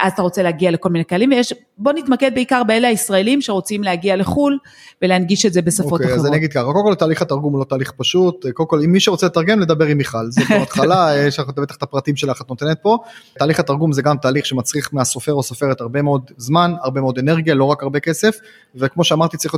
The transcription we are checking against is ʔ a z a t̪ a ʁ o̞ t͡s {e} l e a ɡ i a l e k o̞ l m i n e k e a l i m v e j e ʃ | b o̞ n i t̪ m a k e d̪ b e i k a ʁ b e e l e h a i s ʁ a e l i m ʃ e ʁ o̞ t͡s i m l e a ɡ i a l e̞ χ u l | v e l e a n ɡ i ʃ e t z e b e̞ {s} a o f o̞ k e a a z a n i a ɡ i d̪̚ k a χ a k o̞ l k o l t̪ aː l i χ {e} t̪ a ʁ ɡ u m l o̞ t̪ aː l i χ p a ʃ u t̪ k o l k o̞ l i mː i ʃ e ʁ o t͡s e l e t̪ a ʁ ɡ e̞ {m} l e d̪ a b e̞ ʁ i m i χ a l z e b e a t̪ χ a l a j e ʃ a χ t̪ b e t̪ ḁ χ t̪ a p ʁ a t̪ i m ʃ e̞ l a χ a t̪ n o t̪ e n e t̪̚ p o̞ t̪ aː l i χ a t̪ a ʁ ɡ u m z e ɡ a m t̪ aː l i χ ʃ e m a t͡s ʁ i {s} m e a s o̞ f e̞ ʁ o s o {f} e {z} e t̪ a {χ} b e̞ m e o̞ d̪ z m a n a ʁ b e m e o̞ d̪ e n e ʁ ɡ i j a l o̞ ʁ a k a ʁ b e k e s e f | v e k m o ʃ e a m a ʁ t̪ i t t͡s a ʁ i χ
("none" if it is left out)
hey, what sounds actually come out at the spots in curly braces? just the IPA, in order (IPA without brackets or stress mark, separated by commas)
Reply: e, s, a, m, χ, f, ʁ, ʁ